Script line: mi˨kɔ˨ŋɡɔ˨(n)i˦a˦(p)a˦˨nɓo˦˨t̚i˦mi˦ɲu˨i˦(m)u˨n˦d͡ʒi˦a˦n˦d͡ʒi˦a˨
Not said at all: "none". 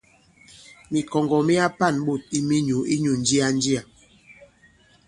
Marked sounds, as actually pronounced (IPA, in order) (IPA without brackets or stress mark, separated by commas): m, p, ɲ